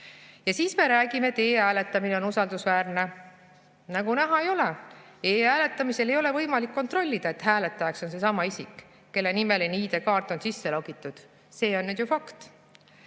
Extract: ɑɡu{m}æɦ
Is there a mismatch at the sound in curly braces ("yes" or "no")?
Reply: yes